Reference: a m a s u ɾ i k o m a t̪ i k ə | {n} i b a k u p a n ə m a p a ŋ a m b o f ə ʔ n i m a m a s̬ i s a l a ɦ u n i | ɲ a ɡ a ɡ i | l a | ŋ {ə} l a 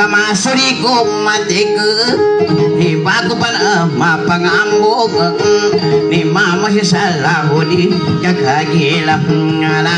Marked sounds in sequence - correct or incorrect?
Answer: correct, incorrect

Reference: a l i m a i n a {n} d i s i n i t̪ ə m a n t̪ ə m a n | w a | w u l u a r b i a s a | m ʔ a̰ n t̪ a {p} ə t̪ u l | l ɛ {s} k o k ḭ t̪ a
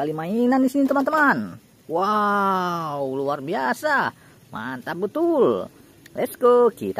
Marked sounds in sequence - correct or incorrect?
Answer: correct, incorrect, correct

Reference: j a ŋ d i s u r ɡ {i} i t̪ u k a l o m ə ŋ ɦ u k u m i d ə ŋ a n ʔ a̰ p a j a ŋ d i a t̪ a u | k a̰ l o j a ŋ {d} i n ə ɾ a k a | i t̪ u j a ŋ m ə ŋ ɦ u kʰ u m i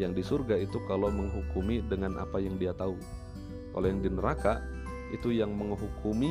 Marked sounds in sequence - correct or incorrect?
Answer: incorrect, correct

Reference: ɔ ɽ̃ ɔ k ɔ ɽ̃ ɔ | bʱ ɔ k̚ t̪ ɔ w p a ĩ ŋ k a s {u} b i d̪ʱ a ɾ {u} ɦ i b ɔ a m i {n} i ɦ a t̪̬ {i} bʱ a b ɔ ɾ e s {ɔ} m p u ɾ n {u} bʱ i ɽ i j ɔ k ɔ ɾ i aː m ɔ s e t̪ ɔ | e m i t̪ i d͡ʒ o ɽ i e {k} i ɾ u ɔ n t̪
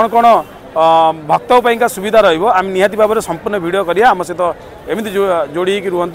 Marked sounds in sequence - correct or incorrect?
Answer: correct, incorrect, correct, correct, correct, incorrect, correct

